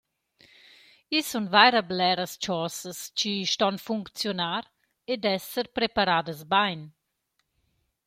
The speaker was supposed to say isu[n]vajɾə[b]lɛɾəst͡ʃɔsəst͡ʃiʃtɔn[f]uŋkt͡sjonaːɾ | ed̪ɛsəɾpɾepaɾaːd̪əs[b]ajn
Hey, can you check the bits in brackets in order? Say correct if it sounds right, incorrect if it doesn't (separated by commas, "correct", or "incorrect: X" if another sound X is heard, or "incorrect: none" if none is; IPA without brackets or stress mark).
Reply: correct, correct, correct, correct